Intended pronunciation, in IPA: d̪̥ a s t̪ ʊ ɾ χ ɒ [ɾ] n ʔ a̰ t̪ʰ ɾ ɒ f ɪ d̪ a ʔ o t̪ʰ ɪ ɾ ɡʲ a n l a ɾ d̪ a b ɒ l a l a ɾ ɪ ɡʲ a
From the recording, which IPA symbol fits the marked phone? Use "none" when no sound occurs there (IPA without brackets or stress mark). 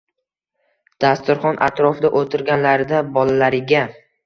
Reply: none